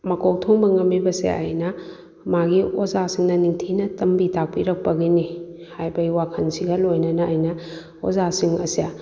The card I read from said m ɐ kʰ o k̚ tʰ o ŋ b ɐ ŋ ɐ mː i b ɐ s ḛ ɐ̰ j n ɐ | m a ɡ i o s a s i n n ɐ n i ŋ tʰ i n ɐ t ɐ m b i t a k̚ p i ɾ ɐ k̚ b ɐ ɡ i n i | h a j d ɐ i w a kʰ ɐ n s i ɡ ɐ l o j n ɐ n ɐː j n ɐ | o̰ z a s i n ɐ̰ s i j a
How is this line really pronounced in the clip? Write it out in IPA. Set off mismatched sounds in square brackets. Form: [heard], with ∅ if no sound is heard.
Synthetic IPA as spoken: m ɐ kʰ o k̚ tʰ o ŋ b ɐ ŋ ɐ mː i b ɐ s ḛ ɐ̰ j n ɐ | m a ɡ i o [z] a s i [ŋ] n ɐ n i ŋ tʰ i n ɐ t ɐ m b i t a k̚ p i ɾ ɐ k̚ [p] ɐ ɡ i n i | h a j [b] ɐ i w a kʰ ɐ n s i ɡ ɐ l o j n ɐ n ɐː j n ɐ | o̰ z a s i [ŋ] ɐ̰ s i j a

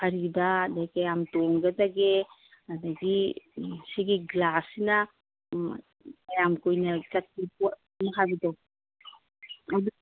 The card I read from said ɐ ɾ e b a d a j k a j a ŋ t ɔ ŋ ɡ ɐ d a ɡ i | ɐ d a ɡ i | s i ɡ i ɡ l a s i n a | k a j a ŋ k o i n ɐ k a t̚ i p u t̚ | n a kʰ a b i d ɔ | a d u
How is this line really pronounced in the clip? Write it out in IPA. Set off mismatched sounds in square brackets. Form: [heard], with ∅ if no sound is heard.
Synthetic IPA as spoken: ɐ ɾ [i] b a d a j k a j a [m] t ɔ ŋ ɡ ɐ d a ɡ [e] | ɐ d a ɡ i | s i ɡ i ɡ l a s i n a | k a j a [m] k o [j] n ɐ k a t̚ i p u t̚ | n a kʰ a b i d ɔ | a d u

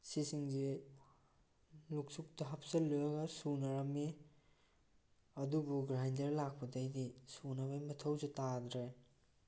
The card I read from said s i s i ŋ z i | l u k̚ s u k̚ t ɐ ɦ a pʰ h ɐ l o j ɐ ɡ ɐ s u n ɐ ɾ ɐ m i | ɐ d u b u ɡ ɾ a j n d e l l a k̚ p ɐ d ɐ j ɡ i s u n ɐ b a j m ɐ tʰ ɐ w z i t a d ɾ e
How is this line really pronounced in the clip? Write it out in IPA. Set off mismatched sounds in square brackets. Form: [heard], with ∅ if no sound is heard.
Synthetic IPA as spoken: s i s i ŋ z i | l u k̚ s u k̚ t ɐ ɦ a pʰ [s] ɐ l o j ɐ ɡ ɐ s u n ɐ ɾ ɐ m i | ɐ d u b u ɡ ɾ a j n d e [ɾ] l a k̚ p ɐ d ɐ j [d] i s u n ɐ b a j m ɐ tʰ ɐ w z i t a d ɾ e

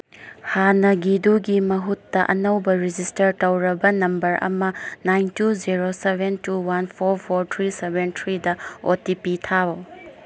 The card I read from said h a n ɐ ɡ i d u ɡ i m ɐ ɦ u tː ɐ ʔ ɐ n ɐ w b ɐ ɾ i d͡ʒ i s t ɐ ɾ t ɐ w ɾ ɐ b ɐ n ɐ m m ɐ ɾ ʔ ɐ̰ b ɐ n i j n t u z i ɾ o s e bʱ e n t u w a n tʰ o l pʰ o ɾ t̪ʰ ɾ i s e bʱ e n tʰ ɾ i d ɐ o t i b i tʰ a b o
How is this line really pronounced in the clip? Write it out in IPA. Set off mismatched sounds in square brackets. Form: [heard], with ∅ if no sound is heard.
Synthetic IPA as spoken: h a n ɐ ɡ i d u ɡ i m ɐ ɦ u tː ɐ ʔ ɐ n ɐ w b ɐ ɾ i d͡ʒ i s t ɐ ɾ t ɐ w ɾ ɐ b ɐ n ɐ m [b] ɐ ɾ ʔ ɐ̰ [m] ɐ n [a] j n t u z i ɾ o s e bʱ e n t u w a n [pʰ] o [ɾ] pʰ o ɾ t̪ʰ ɾ i s e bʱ e n tʰ ɾ i d ɐ o t i [p] i tʰ a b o

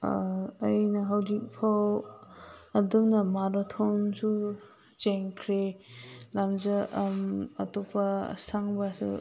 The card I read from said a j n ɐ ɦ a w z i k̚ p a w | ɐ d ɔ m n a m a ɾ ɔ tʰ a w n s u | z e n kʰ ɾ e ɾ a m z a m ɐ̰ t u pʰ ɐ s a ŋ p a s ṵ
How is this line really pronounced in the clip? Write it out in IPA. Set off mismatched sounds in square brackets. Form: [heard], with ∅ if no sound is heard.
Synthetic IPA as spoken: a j n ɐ ɦ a w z i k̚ [pʰ] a w | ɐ d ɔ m n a m a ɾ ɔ tʰ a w n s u | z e [ŋ] kʰ ɾ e [l] a m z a m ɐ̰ t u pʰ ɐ s a ŋ [b] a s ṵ

